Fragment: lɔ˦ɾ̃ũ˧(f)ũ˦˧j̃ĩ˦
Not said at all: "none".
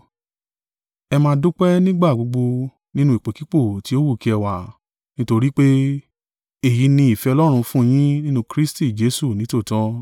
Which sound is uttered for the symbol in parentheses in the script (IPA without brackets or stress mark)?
f